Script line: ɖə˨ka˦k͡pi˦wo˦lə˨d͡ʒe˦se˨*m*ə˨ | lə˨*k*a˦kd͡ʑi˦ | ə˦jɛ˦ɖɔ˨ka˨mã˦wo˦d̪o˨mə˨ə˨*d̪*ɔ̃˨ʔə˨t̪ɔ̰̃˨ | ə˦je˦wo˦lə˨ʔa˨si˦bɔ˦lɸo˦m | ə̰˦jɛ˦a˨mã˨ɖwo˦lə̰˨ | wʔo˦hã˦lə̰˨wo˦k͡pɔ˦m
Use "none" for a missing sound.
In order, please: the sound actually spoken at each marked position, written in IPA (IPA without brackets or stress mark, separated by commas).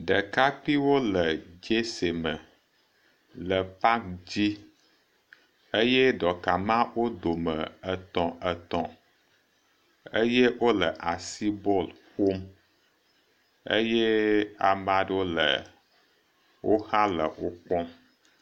m, p, t̪